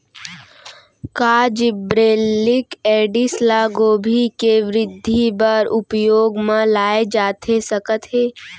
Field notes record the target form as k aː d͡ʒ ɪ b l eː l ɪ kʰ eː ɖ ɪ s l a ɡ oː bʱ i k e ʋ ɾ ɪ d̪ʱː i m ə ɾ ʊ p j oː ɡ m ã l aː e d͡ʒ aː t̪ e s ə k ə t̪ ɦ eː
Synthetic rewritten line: k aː d͡ʒ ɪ b ɾ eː l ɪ k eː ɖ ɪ s l a ɡ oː bʱ i k e ʋ ɾ ɪ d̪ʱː i b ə ɾ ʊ p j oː ɡ m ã l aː e d͡ʒ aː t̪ e s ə k ə t̪ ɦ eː